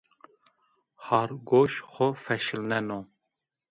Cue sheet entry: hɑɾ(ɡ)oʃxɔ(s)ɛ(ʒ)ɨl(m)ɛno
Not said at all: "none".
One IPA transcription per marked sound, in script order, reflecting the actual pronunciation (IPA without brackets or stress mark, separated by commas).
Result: ɡ, f, ʃ, n